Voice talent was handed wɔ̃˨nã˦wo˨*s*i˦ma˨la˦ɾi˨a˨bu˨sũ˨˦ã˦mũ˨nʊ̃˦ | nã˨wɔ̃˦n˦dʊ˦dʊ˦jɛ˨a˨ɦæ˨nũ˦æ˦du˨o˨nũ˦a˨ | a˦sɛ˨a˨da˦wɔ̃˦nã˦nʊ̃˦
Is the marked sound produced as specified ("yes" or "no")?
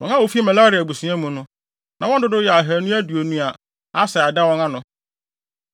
no